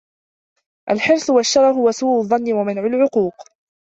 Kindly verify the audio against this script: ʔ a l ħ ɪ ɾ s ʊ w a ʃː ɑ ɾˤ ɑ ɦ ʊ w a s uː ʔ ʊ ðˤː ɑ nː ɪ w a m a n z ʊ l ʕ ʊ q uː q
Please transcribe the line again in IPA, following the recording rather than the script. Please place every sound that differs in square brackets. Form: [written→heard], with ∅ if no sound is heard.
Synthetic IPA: ʔ a l ħ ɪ ɾ s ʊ w a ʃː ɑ ɾˤ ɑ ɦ ʊ w a s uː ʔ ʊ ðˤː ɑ nː ɪ w a m a n [z→ʕ] ʊ l ʕ ʊ q uː q